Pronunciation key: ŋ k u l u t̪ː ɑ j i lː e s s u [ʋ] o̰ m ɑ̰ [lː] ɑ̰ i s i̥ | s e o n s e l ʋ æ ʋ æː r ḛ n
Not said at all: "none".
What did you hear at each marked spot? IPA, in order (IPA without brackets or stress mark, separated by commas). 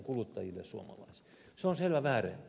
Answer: none, l